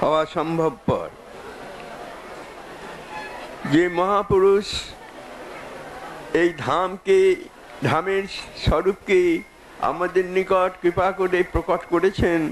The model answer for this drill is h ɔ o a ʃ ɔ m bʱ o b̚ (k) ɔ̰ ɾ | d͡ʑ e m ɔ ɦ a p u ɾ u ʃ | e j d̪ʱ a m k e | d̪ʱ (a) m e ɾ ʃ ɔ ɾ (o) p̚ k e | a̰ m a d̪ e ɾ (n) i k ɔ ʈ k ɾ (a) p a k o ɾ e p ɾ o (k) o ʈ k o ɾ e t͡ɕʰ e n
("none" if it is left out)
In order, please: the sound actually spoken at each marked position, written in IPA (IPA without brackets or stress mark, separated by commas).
p, a, u, n, i, k